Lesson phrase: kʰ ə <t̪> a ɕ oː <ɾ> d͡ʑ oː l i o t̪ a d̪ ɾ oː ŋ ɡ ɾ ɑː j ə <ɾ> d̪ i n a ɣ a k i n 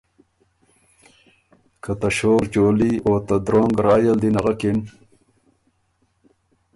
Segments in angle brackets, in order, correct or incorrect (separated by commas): correct, correct, incorrect